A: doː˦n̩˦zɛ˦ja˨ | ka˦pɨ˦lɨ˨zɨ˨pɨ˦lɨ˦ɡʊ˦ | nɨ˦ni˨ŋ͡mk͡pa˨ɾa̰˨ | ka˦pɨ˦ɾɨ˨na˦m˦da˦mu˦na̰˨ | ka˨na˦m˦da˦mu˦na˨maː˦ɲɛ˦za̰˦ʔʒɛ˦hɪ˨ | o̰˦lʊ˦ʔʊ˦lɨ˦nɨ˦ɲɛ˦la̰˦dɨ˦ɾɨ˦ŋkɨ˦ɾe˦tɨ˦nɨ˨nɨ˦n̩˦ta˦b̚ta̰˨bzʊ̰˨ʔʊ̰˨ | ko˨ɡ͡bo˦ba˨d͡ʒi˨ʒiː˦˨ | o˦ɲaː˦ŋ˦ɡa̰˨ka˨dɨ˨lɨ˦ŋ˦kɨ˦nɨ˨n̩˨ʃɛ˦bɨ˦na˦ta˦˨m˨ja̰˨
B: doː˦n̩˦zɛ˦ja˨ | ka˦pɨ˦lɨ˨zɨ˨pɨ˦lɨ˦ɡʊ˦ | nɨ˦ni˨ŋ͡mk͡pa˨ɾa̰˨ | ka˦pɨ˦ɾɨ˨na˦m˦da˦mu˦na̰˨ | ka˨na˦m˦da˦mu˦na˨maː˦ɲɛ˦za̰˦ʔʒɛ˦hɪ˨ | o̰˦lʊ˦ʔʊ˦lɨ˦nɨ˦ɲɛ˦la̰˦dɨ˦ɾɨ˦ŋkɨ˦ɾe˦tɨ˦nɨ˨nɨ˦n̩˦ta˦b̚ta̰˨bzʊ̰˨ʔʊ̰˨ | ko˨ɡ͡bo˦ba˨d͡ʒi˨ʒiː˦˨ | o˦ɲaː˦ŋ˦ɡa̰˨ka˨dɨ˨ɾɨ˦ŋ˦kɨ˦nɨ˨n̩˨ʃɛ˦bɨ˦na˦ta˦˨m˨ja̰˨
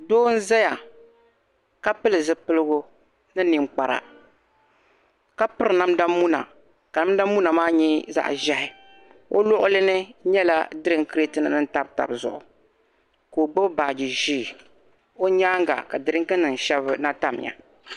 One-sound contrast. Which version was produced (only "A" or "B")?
B